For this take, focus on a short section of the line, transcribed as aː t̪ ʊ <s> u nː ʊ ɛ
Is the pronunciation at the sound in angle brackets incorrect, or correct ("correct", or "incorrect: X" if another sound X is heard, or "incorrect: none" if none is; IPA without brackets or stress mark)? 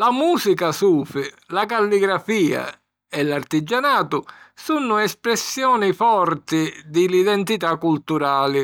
correct